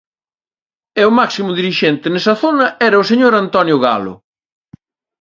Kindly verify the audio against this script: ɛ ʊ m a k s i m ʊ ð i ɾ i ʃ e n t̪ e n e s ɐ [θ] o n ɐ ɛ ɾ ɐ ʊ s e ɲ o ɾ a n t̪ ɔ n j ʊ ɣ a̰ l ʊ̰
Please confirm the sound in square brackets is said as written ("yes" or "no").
yes